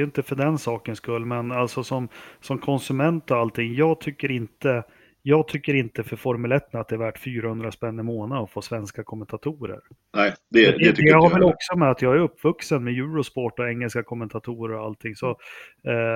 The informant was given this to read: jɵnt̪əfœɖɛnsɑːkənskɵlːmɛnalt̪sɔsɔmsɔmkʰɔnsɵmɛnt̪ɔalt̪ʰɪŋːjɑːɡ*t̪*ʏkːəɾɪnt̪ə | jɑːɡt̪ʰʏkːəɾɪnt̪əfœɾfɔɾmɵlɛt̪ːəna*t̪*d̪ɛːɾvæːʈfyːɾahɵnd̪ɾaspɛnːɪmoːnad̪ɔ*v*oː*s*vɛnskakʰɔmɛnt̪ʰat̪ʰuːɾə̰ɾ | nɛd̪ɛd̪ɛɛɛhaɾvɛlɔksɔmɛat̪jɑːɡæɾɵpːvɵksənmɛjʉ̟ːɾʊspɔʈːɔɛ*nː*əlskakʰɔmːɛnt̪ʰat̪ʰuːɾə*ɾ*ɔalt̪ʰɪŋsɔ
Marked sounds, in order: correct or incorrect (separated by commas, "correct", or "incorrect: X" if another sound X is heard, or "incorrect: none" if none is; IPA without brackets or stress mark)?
incorrect: t̪ʰ, correct, incorrect: f, correct, incorrect: ŋː, correct